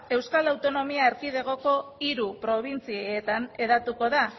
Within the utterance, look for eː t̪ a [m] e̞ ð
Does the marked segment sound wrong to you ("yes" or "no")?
yes